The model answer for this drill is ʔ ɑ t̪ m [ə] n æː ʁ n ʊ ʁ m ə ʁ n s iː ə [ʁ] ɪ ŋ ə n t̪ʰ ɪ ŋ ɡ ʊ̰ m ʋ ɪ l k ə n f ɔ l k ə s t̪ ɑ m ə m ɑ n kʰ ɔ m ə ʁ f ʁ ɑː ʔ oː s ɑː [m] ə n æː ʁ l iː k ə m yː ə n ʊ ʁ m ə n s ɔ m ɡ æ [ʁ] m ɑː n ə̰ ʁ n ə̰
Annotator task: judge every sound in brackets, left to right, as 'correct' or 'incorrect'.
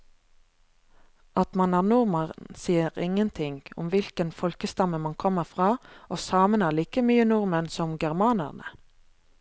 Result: incorrect: ɑ, correct, correct, correct

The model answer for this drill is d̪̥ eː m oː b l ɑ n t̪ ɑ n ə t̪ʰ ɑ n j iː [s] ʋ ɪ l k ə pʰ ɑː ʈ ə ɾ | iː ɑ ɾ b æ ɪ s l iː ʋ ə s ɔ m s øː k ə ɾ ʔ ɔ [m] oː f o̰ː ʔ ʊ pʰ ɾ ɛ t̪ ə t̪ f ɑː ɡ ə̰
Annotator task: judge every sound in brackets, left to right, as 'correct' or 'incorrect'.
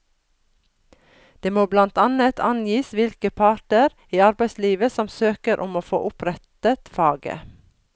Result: correct, correct

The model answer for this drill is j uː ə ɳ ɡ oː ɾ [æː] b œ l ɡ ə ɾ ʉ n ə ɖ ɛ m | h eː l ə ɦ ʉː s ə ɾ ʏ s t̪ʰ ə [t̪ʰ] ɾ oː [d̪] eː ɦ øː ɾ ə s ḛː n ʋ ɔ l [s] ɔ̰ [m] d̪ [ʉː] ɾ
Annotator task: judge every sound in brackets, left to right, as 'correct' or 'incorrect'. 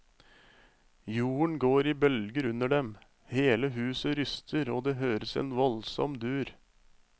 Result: incorrect: iː, incorrect: none, correct, correct, correct, correct

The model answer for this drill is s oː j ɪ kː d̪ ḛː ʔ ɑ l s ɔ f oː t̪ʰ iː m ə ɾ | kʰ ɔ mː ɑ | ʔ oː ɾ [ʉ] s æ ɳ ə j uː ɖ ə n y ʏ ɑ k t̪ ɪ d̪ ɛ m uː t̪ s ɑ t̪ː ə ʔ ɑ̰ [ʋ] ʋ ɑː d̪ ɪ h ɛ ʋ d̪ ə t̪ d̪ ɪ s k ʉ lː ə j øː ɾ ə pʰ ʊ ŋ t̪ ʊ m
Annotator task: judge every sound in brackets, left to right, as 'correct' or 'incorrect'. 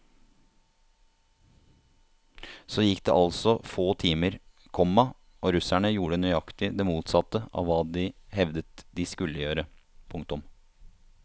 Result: correct, correct

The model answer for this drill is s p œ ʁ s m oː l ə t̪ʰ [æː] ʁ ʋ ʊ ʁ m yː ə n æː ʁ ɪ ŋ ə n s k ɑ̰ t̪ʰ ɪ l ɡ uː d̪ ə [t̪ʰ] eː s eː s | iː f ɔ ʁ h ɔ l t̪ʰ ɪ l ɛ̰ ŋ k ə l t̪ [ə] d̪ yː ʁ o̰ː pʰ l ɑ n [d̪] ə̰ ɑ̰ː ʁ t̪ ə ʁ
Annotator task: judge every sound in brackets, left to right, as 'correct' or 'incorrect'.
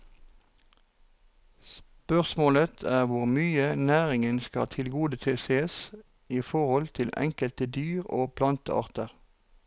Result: correct, correct, correct, incorrect: t̪

